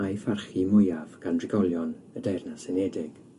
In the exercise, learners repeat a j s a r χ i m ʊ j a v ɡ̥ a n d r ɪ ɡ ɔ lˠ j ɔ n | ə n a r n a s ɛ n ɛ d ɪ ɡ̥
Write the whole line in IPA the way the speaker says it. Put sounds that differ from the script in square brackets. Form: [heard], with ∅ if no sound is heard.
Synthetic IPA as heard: a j [f] a r χ i m ʊ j a v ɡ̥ a n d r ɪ ɡ ɔ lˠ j ɔ n | ə [d] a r n a s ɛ n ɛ d ɪ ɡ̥